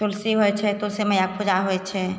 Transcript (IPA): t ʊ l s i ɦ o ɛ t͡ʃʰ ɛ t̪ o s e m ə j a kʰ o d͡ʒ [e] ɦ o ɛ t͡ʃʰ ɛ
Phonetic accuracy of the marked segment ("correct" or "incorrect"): incorrect